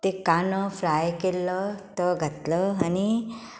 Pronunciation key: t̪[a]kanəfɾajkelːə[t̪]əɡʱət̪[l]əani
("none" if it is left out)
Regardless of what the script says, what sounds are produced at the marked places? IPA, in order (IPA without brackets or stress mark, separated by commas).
e, t̪, l